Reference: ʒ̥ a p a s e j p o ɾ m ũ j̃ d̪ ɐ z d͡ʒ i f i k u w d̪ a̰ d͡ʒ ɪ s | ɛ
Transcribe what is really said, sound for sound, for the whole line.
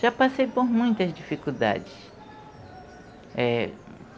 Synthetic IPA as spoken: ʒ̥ a p a s e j p o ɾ m ũ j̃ t̪ ɐ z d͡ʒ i f i k u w d̪ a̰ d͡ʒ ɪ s | ɛ